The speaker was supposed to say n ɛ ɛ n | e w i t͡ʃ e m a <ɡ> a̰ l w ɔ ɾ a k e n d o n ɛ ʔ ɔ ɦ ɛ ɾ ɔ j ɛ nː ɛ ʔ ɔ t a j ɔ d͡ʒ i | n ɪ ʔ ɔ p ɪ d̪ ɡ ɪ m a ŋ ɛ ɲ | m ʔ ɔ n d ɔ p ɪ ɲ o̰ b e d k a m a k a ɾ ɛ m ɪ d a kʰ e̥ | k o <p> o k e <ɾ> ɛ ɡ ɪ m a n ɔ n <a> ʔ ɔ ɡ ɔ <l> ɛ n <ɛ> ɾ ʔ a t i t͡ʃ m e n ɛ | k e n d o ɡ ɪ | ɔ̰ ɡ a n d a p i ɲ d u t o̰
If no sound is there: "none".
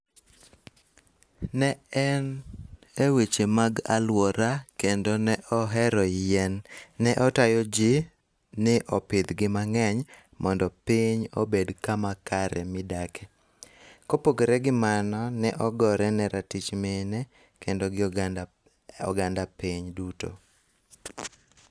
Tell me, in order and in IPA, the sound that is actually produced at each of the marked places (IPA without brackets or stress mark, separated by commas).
ɡ, p, ɾ, ɛ, ɾ, ɛ